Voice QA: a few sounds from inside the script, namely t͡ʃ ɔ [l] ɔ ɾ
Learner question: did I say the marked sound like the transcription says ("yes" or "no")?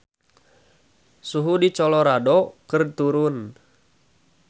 yes